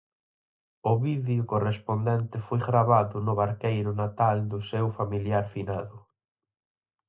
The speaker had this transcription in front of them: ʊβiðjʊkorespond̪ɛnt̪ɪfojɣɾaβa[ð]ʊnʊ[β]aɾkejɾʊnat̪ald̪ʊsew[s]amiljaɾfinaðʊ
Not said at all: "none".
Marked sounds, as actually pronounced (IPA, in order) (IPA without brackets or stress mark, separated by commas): ð, β, f